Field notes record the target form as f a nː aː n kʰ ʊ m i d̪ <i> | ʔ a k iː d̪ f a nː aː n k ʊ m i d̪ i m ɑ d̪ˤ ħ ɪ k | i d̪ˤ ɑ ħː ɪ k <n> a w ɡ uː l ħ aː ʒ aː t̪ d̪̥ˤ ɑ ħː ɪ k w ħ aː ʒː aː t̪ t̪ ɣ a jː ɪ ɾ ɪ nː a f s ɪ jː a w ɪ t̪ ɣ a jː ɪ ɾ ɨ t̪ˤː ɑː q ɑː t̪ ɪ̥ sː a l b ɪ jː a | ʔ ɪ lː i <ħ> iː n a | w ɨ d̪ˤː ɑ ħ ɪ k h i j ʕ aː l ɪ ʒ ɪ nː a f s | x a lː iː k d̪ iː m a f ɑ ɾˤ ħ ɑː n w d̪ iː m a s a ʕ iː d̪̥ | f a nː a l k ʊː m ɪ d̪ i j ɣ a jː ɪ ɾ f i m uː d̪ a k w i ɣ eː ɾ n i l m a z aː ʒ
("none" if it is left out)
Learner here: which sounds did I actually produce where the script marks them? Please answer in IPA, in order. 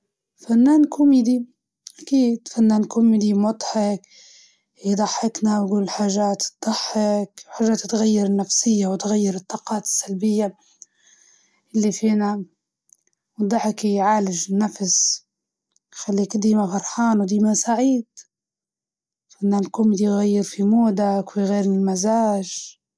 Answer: i, n, f

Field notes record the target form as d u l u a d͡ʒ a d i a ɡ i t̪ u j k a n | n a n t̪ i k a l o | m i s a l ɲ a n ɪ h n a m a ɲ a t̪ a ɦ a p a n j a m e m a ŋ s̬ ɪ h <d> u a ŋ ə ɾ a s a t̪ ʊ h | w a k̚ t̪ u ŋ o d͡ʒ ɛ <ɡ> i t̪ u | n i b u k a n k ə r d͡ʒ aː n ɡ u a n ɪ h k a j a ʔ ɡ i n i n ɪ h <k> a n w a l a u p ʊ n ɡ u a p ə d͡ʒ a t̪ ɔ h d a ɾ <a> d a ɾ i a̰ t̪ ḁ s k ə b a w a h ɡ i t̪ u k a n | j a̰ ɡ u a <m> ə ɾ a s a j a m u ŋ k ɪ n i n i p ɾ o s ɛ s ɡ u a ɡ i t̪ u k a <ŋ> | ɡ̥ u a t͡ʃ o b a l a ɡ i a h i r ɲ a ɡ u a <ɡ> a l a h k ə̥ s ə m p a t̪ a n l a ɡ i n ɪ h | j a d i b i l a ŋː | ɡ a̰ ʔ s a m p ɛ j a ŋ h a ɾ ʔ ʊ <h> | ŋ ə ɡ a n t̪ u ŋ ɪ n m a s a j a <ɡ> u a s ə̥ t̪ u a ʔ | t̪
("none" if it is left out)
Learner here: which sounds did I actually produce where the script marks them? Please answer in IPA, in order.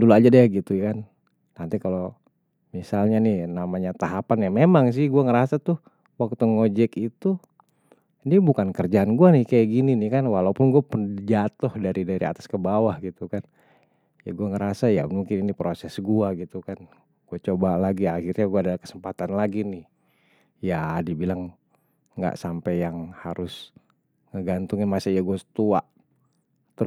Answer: ɡ, k, k, i, ŋ, n, d, s, ɡ

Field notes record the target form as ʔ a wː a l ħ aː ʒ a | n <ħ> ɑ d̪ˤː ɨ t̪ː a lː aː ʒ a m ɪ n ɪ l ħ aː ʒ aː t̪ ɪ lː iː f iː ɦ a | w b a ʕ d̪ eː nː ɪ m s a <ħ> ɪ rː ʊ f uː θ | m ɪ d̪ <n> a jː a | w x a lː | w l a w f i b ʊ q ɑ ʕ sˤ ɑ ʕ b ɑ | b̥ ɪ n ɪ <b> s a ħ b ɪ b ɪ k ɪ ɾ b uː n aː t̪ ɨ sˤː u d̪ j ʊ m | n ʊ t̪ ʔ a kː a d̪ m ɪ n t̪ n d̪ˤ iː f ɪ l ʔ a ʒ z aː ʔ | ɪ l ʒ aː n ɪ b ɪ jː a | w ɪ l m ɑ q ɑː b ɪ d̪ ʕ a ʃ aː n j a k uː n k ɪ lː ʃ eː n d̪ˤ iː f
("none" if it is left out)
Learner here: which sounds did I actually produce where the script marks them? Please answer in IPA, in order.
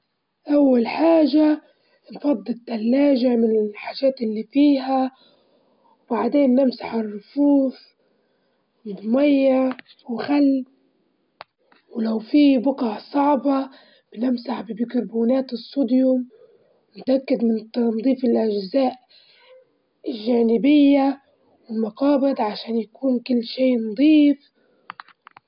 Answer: f, ħ, m, m

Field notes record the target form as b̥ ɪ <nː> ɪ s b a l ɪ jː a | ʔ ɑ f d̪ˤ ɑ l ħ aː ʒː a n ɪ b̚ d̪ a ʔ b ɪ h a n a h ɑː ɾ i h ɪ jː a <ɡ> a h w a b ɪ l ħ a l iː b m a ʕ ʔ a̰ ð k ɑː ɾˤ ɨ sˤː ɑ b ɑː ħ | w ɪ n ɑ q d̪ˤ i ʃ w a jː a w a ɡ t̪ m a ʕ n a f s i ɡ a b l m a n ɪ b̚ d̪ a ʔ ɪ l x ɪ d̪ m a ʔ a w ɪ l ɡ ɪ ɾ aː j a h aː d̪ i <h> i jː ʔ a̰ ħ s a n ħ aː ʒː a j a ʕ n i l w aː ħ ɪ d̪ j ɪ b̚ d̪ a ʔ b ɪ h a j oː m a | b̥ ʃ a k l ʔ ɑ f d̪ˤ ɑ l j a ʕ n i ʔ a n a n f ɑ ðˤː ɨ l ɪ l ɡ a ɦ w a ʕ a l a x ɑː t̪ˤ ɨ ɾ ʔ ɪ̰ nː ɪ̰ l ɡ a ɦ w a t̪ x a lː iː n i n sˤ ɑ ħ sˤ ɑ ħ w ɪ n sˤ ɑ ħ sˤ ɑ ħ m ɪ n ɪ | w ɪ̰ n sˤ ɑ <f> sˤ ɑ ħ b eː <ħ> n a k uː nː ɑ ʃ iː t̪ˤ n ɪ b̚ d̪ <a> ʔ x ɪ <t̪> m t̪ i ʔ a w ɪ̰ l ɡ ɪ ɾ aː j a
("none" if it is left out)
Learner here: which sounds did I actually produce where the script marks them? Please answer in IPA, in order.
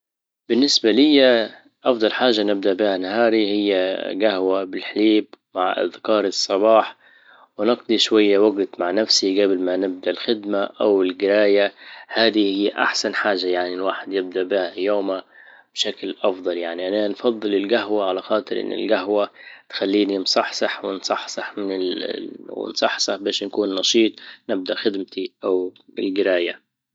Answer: nː, ɡ, h, ħ, ʃ, a, d̪

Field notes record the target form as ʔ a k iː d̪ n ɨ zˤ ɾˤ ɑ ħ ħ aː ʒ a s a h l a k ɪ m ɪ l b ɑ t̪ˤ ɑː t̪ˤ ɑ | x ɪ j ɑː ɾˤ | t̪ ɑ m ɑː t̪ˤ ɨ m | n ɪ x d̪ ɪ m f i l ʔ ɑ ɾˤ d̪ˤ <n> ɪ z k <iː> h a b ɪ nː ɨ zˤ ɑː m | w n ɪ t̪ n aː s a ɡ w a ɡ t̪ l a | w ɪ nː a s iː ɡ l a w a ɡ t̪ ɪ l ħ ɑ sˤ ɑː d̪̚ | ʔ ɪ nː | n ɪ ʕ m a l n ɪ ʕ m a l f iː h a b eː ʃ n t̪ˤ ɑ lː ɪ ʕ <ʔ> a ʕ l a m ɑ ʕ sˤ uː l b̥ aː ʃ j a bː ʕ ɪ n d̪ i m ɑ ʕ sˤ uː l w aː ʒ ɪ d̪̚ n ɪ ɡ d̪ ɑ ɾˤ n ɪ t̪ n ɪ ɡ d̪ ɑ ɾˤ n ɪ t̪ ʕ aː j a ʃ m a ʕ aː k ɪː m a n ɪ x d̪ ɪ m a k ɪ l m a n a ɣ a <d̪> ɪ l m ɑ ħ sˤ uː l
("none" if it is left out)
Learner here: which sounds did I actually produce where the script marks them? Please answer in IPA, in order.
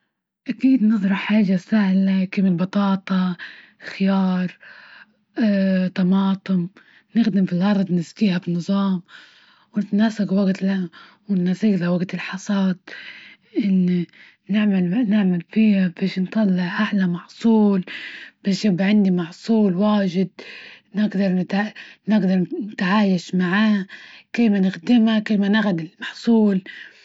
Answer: n, iː, ʔ, d̪

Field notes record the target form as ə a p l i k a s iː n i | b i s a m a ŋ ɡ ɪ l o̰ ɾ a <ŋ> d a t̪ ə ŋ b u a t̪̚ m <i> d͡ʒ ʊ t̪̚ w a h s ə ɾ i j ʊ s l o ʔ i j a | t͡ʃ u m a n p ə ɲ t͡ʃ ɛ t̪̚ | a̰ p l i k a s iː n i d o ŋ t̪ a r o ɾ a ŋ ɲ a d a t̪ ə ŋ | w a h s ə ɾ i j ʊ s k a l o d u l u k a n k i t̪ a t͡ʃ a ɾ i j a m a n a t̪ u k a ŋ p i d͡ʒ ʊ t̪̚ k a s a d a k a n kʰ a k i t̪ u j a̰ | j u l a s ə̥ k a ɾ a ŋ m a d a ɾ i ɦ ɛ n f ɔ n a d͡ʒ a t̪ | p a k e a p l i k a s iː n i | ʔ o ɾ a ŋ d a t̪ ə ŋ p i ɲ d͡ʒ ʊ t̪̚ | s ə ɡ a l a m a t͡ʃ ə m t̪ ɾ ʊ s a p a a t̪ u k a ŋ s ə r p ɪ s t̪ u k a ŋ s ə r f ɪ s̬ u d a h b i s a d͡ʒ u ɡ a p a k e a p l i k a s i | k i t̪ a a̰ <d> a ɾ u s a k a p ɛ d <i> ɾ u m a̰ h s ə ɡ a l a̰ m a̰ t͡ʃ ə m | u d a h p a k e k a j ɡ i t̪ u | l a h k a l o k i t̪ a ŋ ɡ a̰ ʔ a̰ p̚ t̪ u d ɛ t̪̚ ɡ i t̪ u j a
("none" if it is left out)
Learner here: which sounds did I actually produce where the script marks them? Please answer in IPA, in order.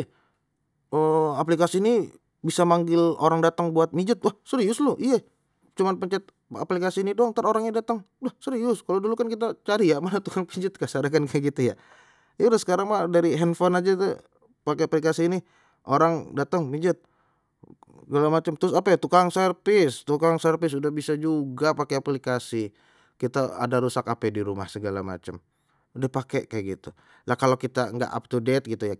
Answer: ŋ, i, d, i

